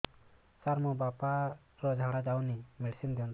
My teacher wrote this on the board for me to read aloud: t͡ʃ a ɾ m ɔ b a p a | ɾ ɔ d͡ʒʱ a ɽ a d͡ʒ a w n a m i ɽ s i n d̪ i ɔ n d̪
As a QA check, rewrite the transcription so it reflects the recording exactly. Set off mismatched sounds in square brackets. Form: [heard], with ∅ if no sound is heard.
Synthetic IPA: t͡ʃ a ɾ m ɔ b a p a | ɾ ɔ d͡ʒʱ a ɽ a d͡ʒ a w n [i] m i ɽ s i n d̪ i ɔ n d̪

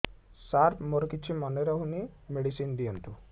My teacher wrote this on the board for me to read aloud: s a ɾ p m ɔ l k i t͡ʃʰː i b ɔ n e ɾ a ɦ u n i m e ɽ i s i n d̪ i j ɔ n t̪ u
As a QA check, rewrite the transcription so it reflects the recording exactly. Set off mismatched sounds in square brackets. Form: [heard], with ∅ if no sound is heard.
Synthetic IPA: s a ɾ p m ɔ [ɾ] k i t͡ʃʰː i [m] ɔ n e ɾ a ɦ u n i m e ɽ i s i n d̪ i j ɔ n t̪ u

